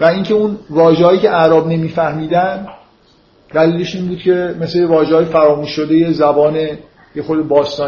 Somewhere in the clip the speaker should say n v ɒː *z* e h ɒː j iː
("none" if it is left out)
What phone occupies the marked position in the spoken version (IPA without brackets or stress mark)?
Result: ʒ